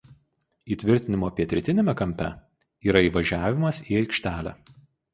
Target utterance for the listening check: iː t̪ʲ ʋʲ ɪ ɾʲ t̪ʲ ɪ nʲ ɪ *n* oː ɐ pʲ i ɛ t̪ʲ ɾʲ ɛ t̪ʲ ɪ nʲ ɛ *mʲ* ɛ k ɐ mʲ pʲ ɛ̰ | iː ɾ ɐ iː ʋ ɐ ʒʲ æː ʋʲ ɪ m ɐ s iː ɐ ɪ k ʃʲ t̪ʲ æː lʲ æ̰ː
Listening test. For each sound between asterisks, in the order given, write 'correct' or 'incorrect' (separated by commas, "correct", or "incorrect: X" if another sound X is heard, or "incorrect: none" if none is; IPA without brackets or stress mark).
incorrect: m, correct